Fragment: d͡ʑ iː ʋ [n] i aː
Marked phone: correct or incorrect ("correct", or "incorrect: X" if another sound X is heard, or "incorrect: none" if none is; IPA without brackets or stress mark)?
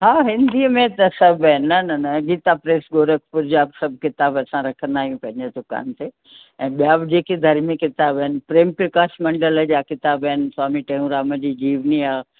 correct